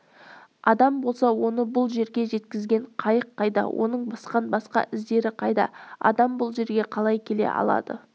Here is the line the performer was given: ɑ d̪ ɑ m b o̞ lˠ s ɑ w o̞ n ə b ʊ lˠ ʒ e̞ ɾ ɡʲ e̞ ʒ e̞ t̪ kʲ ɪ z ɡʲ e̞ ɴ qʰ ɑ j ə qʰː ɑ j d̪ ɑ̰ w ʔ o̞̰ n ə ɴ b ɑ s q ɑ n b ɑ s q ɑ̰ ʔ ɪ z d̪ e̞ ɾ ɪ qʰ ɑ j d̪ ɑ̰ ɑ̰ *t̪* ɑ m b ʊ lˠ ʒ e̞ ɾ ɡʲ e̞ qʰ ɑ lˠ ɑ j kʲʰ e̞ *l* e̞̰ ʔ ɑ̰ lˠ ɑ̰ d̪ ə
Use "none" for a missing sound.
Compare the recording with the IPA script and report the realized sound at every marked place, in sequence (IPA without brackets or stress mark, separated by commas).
d̪, l